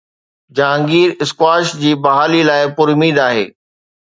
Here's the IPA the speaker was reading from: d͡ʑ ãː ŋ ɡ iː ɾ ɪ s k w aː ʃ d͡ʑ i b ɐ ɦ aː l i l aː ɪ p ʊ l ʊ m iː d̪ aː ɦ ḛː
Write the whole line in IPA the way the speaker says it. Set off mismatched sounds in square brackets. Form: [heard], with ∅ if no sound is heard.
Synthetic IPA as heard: d͡ʑ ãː ŋ ɡ iː ɾ ɪ s k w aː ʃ d͡ʑ [iː] b ɐ ɦ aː l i l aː ɪ p ʊ [ɾ] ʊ m iː d̪ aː ɦ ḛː